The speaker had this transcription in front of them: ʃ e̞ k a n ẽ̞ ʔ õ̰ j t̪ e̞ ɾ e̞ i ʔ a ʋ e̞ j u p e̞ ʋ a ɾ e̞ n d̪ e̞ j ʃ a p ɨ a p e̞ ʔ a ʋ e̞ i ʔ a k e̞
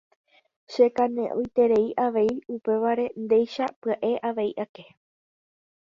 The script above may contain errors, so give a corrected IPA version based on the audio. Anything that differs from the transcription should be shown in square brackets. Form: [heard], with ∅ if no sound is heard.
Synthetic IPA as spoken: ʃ e̞ k a n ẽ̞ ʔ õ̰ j t̪ e̞ ɾ e̞ i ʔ a ʋ e̞ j u p e̞ ʋ a ɾ e̞ n d̪ e̞ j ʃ a p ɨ a [ʔ] e̞ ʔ a ʋ e̞ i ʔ a k e̞